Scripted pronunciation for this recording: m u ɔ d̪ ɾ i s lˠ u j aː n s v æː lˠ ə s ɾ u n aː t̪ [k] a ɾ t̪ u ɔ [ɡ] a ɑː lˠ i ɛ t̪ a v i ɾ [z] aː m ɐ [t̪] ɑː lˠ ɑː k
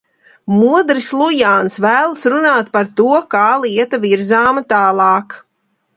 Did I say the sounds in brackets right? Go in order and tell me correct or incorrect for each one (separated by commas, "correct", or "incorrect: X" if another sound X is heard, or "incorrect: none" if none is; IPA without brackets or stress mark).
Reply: incorrect: p, incorrect: k, correct, correct